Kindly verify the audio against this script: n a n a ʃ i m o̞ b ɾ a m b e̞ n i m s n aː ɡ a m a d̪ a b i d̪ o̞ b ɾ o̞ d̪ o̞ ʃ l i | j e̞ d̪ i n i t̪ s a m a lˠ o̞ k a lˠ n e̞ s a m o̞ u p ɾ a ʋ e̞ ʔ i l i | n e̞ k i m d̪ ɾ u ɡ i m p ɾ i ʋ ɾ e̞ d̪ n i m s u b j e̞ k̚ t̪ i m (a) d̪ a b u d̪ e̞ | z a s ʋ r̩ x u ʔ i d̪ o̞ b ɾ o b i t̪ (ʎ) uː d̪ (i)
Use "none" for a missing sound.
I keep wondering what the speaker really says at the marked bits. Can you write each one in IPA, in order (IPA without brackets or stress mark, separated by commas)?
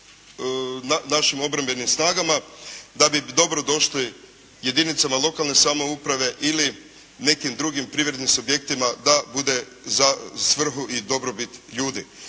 a, ʎ, i